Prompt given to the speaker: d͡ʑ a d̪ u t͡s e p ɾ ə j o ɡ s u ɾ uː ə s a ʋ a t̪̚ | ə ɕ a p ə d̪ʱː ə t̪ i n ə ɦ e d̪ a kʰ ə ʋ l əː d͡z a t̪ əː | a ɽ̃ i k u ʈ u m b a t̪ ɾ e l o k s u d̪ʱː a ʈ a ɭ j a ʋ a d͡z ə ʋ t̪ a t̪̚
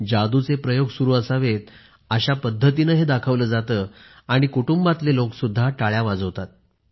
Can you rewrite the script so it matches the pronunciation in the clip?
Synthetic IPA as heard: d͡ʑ a d̪ u t͡s e p ɾ ə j o ɡ s u ɾ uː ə s a ʋ e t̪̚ | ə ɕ a p ə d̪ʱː ə t̪ i n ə ɦ e d̪ a kʰ ə ʋ l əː d͡z a t̪ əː | a ɽ̃ i k u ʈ u m b a t̪ l e l o k s u d̪ʱː a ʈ a ɭ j a ʋ a d͡z ə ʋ t̪ a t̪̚